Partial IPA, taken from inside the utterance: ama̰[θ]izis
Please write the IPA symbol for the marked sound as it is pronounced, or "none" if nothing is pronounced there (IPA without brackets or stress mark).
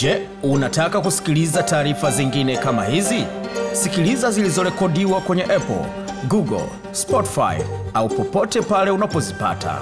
h